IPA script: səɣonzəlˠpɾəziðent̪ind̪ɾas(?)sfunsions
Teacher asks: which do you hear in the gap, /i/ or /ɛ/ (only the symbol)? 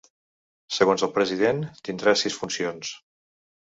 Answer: i